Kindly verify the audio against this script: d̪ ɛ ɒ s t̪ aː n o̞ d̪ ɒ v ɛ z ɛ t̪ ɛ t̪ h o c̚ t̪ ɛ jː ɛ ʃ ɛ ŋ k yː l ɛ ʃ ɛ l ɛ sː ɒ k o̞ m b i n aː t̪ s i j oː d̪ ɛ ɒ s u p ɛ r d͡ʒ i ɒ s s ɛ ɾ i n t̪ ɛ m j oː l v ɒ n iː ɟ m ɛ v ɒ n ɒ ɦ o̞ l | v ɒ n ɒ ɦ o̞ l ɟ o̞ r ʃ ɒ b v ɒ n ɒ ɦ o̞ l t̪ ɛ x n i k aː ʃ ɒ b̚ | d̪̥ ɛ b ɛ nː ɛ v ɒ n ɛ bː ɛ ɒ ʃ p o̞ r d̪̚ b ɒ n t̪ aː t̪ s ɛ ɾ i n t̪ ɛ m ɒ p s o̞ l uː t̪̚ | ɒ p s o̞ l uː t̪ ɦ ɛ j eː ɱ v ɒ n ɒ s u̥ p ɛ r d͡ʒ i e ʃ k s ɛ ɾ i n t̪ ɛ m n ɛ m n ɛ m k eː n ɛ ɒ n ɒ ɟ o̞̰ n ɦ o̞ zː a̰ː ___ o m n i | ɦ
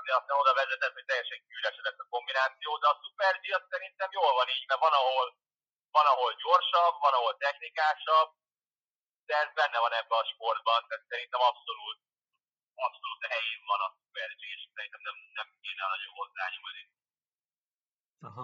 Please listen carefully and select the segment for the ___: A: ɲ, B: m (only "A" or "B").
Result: A